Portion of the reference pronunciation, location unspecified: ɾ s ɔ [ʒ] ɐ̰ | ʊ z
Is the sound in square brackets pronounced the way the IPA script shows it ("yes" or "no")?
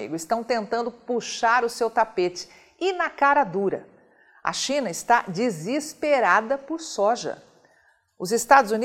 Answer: yes